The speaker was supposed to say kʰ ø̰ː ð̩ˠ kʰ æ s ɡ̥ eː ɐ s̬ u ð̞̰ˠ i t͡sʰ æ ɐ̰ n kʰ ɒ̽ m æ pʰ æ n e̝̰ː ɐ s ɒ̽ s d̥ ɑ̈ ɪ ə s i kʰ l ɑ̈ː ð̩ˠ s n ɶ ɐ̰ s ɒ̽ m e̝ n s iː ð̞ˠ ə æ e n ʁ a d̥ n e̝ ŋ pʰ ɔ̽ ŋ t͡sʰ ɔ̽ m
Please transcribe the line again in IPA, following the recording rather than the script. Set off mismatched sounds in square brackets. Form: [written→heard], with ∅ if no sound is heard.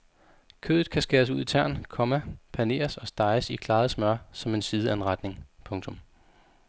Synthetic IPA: kʰ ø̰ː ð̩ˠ kʰ æ s ɡ̥ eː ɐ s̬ u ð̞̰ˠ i t͡sʰ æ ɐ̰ n kʰ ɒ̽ m æ pʰ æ n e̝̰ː ɐ s ɒ̽ s d̥ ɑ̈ ɪ ə s i kʰ l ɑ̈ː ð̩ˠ s [n→m] ɶ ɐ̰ s ɒ̽ m e̝ n s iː ð̞ˠ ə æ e n ʁ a d̥ n e̝ ŋ pʰ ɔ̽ ŋ t͡sʰ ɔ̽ m